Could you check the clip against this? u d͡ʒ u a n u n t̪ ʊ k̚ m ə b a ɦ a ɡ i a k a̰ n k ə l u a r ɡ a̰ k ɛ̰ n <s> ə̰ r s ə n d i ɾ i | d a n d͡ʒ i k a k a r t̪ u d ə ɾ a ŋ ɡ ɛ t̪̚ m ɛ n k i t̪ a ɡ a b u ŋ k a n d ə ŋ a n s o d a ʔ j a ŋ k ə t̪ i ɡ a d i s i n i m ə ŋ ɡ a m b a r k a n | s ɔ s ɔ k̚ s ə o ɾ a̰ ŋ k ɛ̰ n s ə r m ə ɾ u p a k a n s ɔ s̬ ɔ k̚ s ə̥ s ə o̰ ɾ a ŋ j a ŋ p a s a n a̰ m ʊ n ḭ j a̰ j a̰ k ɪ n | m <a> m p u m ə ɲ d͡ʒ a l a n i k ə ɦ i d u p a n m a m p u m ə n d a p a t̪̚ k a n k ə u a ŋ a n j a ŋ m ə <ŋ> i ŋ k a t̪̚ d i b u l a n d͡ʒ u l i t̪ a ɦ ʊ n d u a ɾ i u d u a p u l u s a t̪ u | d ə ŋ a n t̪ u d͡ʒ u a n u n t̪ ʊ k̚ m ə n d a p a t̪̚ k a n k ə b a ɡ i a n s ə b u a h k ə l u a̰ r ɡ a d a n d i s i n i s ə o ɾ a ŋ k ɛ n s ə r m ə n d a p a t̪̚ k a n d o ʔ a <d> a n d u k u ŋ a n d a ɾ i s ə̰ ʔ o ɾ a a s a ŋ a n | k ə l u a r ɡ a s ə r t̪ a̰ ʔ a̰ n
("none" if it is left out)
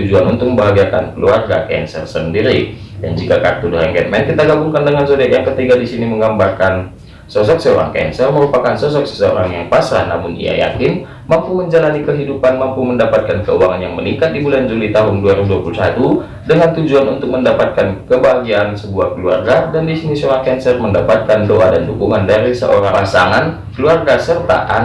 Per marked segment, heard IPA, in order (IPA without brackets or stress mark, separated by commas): s, a, n, d